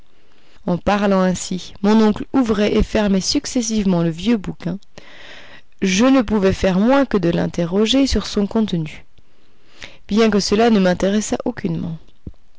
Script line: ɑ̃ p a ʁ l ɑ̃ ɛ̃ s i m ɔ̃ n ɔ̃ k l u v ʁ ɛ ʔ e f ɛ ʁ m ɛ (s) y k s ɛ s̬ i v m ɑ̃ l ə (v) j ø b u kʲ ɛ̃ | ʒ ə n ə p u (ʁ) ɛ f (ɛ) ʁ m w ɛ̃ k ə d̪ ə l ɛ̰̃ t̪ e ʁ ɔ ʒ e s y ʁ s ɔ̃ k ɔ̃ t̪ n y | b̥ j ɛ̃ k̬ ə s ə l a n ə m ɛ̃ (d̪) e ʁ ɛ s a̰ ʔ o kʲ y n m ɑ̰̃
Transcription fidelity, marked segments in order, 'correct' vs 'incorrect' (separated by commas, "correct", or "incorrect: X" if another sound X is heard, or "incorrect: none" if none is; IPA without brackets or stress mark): correct, correct, incorrect: v, correct, incorrect: t̪